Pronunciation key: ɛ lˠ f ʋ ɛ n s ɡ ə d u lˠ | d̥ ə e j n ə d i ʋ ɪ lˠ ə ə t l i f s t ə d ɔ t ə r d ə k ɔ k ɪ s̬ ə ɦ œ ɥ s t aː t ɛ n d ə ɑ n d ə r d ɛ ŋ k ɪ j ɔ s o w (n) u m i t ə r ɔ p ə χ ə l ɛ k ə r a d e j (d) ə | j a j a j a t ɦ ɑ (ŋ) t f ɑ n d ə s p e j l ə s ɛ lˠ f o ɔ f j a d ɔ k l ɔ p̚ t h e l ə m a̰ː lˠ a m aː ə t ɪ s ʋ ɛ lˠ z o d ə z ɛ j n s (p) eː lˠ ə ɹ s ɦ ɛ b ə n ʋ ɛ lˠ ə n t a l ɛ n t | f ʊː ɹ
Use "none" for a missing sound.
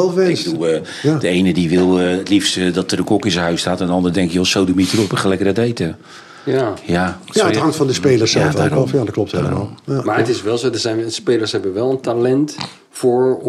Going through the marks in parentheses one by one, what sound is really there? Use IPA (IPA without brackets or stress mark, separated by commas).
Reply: d, t, ŋ, p